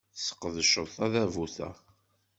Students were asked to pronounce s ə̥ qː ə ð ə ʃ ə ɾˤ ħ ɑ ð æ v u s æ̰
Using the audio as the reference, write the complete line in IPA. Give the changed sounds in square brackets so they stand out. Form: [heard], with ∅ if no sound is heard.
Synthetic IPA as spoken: s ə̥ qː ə ð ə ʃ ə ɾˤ [θ] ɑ ð æ v u [θ] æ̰